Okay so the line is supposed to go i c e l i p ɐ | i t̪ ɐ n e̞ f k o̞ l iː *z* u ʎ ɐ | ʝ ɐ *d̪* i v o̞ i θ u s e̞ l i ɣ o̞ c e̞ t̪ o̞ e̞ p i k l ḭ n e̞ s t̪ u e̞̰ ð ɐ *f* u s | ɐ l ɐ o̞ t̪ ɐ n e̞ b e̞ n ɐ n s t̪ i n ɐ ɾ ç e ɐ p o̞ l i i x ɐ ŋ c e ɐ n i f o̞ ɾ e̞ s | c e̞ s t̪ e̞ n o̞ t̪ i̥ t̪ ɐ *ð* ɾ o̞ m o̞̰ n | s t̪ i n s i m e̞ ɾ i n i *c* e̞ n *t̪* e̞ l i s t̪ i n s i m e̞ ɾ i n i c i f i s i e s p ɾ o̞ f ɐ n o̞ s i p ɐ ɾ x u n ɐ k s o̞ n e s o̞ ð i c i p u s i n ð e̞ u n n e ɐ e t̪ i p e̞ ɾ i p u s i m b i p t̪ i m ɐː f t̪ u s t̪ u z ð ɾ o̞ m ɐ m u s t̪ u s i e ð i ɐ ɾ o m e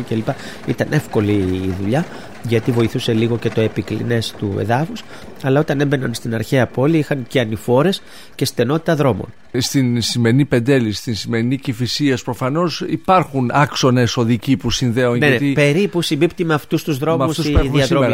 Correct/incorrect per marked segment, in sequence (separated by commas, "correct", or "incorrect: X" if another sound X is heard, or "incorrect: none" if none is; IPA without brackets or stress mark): incorrect: ð, incorrect: t̪, correct, correct, incorrect: p, incorrect: d̪